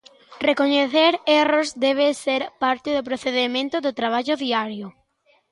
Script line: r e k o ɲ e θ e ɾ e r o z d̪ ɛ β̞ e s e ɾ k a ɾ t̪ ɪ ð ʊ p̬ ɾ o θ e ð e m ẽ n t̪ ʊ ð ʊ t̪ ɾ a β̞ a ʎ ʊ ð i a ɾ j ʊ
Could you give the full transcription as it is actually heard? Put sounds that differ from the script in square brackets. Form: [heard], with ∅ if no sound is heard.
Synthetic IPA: r e k o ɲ e θ e ɾ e r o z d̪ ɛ β̞ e s e ɾ [p] a ɾ t̪ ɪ ð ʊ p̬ ɾ o θ e ð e m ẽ n t̪ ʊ ð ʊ t̪ ɾ a β̞ a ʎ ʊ ð i a ɾ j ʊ